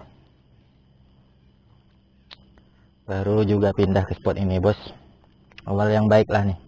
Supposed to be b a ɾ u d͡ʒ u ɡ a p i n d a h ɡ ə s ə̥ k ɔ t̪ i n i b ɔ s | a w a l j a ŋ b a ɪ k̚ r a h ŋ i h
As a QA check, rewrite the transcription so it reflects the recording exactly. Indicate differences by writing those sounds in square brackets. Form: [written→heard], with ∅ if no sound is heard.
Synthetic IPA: b a ɾ u d͡ʒ u ɡ a p i n d a h [ɡ→k] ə s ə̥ [k→p] ɔ t̪ i n i b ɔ s | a w a l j a ŋ b a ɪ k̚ [r→l] a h [ŋ→n] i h

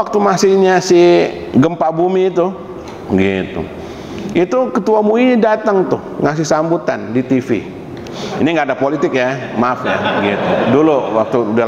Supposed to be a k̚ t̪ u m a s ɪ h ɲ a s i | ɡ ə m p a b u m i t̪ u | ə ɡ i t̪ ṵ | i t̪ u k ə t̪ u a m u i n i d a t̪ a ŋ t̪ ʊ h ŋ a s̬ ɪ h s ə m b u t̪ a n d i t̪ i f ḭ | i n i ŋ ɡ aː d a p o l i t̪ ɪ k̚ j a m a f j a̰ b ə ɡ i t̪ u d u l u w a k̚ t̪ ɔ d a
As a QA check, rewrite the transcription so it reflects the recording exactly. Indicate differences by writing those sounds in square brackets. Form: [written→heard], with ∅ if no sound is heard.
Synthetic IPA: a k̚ t̪ u m a s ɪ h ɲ a s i | ɡ ə m p a b u m i t̪ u | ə ɡ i t̪ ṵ | i t̪ u k ə t̪ u a m u i n i d a t̪ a ŋ t̪ ʊ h ŋ a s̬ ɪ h s [ə→a] m b u t̪ a n d i t̪ i f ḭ | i n i ŋ ɡ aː d a p o l i t̪ ɪ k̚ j a m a f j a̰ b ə ɡ i t̪ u d u l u w a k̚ t̪ [ɔ→u] d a

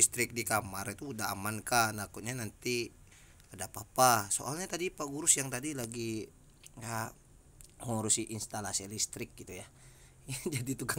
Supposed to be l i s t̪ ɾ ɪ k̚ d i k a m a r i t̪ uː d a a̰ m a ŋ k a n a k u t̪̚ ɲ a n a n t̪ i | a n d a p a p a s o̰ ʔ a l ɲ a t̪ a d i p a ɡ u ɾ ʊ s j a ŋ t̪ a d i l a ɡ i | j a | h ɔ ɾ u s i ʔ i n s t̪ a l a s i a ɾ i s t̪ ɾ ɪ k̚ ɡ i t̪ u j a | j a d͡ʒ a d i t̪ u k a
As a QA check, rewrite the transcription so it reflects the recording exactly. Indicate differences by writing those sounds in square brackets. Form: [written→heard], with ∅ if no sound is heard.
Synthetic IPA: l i s t̪ ɾ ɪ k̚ d i k a m a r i t̪ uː d a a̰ m a [ŋ→n] k a n a k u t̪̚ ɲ a n a n t̪ i | a [n→∅] d a p a p a s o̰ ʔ a l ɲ a t̪ a d i p a ɡ u ɾ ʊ s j a ŋ t̪ a d i l a ɡ i | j a | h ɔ ɾ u s i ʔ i n s t̪ a l a s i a [ɾ→l] i s t̪ ɾ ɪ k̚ ɡ i t̪ u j a | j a d͡ʒ a d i t̪ u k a

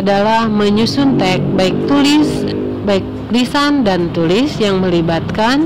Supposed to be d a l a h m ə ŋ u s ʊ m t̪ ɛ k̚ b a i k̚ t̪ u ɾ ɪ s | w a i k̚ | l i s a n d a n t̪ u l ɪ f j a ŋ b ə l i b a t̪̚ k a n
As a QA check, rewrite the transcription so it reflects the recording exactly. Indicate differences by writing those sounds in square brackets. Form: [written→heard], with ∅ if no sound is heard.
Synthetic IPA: d a l a h m ə [ŋ→ɲ] u s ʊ [m→n] t̪ ɛ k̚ b a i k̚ t̪ u [ɾ→l] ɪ s | [w→b] a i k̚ | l i s a n d a n t̪ u l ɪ [f→s] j a ŋ [b→m] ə l i b a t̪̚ k a n

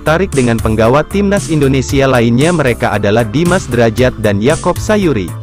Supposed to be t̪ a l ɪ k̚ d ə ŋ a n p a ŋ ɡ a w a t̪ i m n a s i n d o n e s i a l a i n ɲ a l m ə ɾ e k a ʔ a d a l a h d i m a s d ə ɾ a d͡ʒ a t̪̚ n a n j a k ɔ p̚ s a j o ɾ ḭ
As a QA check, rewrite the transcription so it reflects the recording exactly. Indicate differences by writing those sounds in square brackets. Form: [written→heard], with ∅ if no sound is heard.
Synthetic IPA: t̪ a [l→ɾ] ɪ k̚ d ə ŋ a n p [a→ə] ŋ ɡ a w a t̪ i m n a s i n d o n e s i a l a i n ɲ a [l→∅] m ə ɾ e k a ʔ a d a l a h d i m a s d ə ɾ a d͡ʒ a t̪̚ [n→d] a n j a k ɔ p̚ s a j [o→u] ɾ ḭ

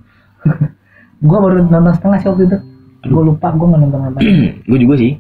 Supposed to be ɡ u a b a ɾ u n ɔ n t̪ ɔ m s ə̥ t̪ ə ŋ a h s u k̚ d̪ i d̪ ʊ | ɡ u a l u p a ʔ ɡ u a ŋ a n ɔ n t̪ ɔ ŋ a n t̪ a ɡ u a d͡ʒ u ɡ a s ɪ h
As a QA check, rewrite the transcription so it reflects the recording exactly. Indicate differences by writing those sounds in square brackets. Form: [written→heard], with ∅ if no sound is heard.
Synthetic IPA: ɡ u a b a ɾ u n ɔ n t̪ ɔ [m→ŋ] s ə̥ t̪ ə ŋ a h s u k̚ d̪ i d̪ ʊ | ɡ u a l u p a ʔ ɡ u a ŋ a n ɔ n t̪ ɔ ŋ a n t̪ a ɡ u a d͡ʒ u ɡ a s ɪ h

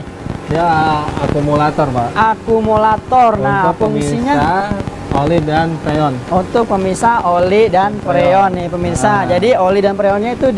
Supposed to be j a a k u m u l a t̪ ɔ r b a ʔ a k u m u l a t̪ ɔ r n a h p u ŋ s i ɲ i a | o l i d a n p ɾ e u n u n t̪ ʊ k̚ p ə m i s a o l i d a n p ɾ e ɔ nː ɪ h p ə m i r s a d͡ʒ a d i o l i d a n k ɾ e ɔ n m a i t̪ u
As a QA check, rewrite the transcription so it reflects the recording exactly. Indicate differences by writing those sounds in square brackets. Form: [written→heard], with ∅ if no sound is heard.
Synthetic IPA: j a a k u m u l a t̪ ɔ r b a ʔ a k u m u l a t̪ ɔ r n a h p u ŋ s i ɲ [i→a] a | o l i d a n p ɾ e [u→ɔ] n u n t̪ ʊ k̚ p ə m i s a o l i d a n p ɾ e ɔ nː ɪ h p ə m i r s a d͡ʒ a d i o l i d a n [k→p] ɾ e ɔ n [m→ɲ] a i t̪ u

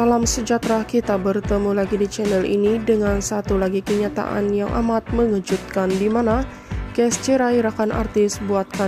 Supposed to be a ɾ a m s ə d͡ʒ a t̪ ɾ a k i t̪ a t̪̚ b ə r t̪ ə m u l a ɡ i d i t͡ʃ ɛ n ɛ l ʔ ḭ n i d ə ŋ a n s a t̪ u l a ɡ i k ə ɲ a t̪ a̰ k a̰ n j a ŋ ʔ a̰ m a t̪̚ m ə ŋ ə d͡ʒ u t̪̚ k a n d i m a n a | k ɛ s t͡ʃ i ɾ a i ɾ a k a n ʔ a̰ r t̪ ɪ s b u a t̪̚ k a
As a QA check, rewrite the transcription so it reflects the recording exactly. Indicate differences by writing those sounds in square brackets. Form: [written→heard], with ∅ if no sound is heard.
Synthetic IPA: a [ɾ→l] a m s ə d͡ʒ a t̪ ɾ a k i t̪ a [t̪̚→∅] b ə r t̪ ə m u l a ɡ i d i t͡ʃ ɛ n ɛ l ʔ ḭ n i d ə ŋ a n s a t̪ u l a ɡ i k ə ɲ a t̪ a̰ [k→ʔ] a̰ n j a ŋ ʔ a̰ m a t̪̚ m ə ŋ ə d͡ʒ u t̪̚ k a n d i m a n a | k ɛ s t͡ʃ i ɾ a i ɾ a k a n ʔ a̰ r t̪ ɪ s b u a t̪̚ k a

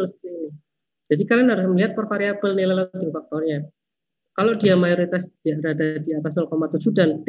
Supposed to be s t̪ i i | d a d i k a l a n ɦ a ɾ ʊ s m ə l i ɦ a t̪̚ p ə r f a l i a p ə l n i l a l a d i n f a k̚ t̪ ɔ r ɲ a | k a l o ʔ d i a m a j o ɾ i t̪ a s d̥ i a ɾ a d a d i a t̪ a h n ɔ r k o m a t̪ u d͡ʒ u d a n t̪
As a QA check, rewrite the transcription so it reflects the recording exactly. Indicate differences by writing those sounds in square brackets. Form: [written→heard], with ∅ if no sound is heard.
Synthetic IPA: s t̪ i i | [d→d͡ʒ] a d i k a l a n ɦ a ɾ ʊ s m ə l i ɦ a t̪̚ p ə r f a [l→ɾ] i a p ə l n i l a l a d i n f a k̚ t̪ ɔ r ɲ a | k a l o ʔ d i a m a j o ɾ i t̪ a s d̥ i a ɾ a d a d i a t̪ a [h→s] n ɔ [r→l] k o m a t̪ u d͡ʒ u d a n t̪

